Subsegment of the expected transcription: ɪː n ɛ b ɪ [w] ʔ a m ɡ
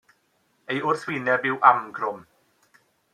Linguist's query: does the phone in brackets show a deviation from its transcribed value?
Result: no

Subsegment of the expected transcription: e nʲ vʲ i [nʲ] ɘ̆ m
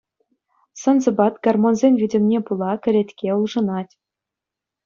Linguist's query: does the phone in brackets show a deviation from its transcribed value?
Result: yes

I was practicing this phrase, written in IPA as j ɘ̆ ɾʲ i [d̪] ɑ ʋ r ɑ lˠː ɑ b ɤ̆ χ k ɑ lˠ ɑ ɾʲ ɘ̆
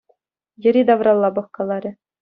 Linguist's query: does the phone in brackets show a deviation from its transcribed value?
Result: no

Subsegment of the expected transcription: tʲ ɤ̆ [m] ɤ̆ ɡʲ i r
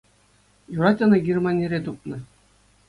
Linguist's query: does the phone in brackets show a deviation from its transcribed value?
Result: yes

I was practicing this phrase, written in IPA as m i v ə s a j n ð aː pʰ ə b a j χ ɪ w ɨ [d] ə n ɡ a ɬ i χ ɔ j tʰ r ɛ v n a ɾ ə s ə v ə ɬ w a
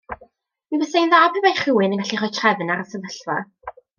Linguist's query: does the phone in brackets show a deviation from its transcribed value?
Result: yes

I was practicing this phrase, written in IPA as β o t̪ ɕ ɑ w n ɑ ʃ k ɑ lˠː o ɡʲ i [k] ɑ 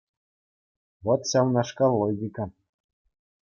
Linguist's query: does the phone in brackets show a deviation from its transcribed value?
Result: no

